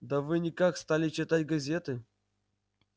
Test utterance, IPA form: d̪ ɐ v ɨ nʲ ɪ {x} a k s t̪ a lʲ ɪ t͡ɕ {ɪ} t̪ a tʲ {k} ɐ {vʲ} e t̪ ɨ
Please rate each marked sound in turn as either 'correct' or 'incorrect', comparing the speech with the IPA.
incorrect: k, correct, incorrect: ɡ, incorrect: zʲ

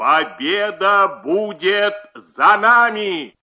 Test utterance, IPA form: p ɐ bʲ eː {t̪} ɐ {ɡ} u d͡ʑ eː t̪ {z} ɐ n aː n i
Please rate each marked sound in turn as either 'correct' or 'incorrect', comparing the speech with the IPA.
incorrect: d̪, incorrect: b, correct

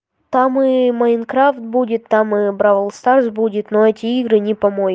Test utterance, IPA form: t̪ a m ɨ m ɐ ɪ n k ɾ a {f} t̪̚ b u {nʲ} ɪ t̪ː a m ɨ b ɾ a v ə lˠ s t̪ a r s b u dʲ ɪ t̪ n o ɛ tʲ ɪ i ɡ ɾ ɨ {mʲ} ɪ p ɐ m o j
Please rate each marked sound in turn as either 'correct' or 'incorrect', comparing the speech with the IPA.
correct, incorrect: dʲ, incorrect: nʲ

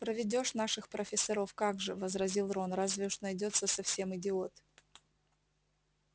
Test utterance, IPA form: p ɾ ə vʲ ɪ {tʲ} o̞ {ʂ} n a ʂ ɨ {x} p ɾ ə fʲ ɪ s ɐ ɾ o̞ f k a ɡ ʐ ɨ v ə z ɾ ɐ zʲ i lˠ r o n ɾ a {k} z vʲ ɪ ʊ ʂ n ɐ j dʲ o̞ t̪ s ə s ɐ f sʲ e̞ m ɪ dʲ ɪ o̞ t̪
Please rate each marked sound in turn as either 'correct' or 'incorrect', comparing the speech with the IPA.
incorrect: dʲ, correct, correct, incorrect: none

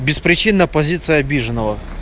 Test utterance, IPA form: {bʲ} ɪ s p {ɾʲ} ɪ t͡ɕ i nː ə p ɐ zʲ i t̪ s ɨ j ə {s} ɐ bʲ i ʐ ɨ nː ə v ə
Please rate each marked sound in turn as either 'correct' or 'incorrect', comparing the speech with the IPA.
correct, correct, incorrect: none

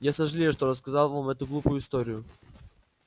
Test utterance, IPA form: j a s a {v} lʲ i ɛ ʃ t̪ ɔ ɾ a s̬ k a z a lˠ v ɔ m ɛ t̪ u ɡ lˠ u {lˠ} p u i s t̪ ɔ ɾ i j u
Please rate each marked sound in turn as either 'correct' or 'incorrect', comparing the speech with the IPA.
incorrect: ʒ, incorrect: none

